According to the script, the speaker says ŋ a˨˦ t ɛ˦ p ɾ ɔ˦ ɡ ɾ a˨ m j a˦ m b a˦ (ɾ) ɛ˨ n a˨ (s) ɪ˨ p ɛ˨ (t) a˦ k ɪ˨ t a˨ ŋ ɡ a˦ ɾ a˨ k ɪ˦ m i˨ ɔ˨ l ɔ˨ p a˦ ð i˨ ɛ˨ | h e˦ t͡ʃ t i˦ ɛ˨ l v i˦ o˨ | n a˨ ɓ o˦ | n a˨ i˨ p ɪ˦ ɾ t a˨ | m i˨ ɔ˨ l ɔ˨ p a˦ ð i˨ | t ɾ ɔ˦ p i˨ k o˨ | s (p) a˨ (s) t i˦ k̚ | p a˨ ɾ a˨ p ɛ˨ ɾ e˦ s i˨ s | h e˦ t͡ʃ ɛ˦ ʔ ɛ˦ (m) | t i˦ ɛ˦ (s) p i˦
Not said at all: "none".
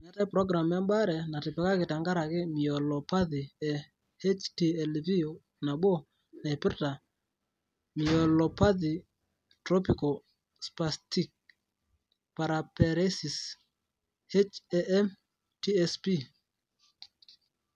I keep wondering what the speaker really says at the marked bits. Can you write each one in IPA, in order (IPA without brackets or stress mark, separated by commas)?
ɾ, t, k, p, s, m, s